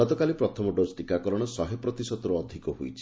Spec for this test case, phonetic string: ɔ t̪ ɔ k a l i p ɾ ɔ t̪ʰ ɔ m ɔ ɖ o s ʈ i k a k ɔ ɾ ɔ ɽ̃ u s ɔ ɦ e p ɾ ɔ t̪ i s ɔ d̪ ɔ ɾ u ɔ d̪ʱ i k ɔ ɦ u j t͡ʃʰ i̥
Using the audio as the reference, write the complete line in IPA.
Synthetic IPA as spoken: ɔ t̪ ɔ k a l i p ɾ ɔ t̪ʰ ɔ m ɔ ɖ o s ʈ i k a k ɔ ɾ ɔ ɽ̃ ɔ s ɔ ɦ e p ɾ ɔ t̪ i s ɔ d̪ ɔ ɾ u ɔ d̪ʱ i k ɔ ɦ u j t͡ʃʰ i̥